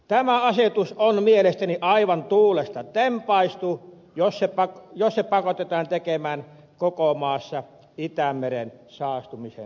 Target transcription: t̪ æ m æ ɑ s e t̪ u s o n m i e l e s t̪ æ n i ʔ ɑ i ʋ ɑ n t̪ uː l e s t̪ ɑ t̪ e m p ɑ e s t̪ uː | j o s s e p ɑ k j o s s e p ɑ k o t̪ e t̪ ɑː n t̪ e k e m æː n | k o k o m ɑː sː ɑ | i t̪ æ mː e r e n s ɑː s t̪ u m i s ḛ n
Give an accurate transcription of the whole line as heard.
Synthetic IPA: t̪ æ m æ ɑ s e t̪ u s o n m i e l e s t̪ æ n i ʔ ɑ i ʋ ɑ n t̪ uː l e s t̪ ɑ t̪ e m p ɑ i s t̪ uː | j o s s e p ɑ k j o s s e p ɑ k o t̪ e t̪ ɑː n t̪ e k e m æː n | k o k o m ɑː sː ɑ | i t̪ æ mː e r e n s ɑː s t̪ u m i s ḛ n